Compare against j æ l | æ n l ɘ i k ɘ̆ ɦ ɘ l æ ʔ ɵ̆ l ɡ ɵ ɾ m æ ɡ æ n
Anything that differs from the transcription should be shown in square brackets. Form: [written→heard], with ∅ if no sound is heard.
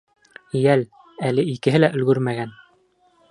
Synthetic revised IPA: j æ l | æ [n→∅] l ɘ i k ɘ̆ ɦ ɘ l æ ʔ ɵ̆ l ɡ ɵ ɾ m æ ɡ æ n